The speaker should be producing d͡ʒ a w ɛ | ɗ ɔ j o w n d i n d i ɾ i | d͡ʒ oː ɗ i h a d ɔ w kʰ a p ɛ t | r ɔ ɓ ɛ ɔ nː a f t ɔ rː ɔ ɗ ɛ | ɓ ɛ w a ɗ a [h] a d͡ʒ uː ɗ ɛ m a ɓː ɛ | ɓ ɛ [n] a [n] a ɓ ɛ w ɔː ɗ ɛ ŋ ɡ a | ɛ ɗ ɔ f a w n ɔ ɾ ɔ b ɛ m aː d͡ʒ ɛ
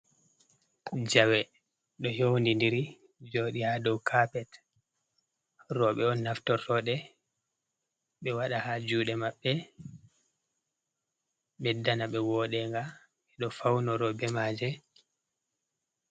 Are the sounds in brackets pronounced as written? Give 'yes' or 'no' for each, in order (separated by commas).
yes, no, yes